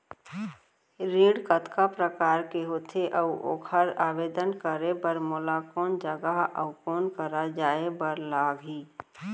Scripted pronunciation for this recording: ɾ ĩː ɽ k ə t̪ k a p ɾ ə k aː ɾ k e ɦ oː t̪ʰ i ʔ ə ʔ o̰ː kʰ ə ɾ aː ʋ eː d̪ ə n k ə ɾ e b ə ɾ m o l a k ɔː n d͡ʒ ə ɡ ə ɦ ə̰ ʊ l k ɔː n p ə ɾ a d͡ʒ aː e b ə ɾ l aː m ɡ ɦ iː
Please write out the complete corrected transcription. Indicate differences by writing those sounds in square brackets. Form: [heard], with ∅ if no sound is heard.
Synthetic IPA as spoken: ɾ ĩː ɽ k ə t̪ k a p ɾ ə k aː ɾ k e ɦ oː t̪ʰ [e] ʔ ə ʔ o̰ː kʰ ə ɾ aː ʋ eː d̪ ə n k ə ɾ e b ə ɾ m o l a k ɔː n d͡ʒ ə ɡ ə ɦ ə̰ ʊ [∅] k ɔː n [k] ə ɾ a d͡ʒ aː e b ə ɾ l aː [∅] ɡ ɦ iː